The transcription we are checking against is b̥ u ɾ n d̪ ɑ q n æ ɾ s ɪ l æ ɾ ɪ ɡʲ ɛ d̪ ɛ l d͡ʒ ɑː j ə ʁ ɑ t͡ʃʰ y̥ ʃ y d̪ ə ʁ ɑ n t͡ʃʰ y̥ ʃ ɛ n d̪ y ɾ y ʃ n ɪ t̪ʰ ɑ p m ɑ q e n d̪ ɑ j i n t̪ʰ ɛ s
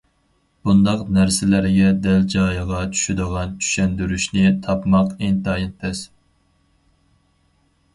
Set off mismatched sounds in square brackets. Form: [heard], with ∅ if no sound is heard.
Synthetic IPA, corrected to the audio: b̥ u [∅] n d̪ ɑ q n æ ɾ s ɪ l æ ɾ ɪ ɡʲ ɛ d̪ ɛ l d͡ʒ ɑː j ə ʁ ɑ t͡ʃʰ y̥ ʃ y d̪ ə ʁ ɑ n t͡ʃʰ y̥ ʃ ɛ n d̪ y ɾ y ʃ n ɪ t̪ʰ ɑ p m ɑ q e n [t̪] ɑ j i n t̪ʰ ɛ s